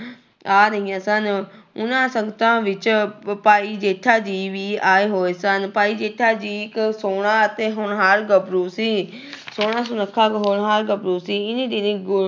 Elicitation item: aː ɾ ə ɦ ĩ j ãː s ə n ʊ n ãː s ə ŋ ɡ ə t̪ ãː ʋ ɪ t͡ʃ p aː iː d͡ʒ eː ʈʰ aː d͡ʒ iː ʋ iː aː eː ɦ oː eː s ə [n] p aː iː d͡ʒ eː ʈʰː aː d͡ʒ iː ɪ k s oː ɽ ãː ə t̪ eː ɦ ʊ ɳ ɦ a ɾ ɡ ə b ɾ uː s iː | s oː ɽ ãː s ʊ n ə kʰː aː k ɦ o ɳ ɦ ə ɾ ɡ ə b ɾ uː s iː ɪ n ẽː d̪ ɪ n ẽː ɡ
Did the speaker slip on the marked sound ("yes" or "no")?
no